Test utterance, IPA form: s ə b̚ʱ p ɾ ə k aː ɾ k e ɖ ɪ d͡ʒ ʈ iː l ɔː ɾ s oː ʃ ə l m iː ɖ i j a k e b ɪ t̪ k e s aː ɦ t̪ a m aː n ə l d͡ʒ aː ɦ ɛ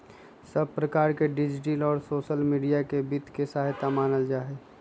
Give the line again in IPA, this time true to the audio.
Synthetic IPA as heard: s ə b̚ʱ p ɾ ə k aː ɾ k e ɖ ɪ d͡ʒ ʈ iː l ɔː ɾ s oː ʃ ə l m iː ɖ i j a k e b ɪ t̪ k e s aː ɦ t̪ a m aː n ə l d͡ʒ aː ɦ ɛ